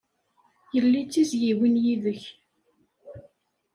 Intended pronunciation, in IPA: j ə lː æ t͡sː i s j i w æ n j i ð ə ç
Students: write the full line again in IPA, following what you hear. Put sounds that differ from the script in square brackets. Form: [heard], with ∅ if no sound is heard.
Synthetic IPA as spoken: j ə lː [i] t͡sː i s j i w [i] n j i ð ə ç